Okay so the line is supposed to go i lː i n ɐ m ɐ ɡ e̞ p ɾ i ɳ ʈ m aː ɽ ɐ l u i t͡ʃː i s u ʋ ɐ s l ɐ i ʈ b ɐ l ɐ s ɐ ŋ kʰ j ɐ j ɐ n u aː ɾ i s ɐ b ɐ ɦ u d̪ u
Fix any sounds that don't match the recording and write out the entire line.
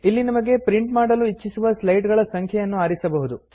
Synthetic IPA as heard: i lː i n ɐ m ɐ ɡ e̞ p ɾ i ɳ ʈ m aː ɽ ɐ l u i t͡ʃː i s u ʋ ɐ s l ɐ j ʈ ɡ ɐ ɭ ɐ s ɐ ŋ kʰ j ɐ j ɐ nː u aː ɾ i s ɐ b ɐ ɦ u d̪ u